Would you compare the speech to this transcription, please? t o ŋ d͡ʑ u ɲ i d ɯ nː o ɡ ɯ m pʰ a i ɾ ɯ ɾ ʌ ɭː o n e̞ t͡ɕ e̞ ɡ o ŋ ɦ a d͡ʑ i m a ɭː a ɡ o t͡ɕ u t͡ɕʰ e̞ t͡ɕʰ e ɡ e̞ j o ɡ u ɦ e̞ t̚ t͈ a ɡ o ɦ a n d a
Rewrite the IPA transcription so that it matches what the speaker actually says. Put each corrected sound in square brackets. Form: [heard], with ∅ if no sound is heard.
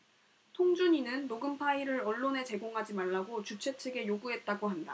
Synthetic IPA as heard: [tʰ] o ŋ d͡ʑ u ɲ i [n] ɯ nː o ɡ ɯ m pʰ a i ɾ ɯ ɾ ʌ ɭː o n e̞ t͡ɕ e̞ ɡ o ŋ ɦ a d͡ʑ i m a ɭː a ɡ o t͡ɕ u t͡ɕʰ e̞ t͡ɕʰ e ɡ e̞ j o ɡ u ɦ e̞ t̚ t͈ a ɡ o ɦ a n d a